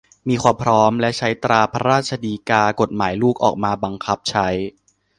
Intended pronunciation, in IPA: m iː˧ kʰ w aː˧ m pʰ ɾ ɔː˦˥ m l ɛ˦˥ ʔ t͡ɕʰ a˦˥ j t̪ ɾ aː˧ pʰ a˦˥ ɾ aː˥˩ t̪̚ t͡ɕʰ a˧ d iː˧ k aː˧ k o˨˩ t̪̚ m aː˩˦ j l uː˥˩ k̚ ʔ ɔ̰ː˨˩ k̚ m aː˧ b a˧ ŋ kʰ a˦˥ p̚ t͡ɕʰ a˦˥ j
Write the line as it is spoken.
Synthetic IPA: m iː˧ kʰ w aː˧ m pʰ ɾ ɔː˦˥ m l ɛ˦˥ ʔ t͡ɕʰ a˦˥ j t̪ ɾ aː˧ pʰ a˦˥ ɾ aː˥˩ t̪̚ t͡ɕʰ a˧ d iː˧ k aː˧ k o˨˩ t̪̚ m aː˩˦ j l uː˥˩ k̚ ʔ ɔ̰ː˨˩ k̚ m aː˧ b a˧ ŋ kʰ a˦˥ p̚ t͡ɕʰ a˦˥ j